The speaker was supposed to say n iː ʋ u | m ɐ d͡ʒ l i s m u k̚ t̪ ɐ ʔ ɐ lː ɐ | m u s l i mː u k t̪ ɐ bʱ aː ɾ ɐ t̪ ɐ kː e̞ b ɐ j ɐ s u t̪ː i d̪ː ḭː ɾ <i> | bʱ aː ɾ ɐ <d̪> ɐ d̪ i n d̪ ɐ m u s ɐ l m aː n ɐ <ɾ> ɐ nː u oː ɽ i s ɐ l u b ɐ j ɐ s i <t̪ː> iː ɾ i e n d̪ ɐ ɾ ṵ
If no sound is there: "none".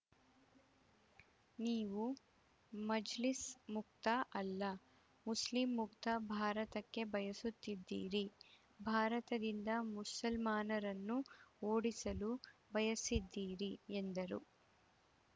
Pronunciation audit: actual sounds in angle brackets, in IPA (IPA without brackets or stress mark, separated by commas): i, t̪, ɾ, d̪ː